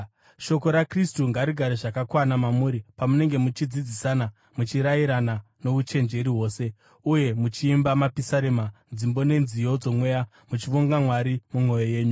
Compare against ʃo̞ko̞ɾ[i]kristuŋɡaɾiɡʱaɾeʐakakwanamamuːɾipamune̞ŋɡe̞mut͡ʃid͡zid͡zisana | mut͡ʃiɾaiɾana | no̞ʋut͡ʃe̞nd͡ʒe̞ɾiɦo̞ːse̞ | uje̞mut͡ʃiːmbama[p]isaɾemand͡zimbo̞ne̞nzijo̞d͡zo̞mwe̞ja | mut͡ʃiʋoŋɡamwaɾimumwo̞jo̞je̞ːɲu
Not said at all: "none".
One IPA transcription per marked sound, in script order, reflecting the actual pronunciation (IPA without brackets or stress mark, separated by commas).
a, p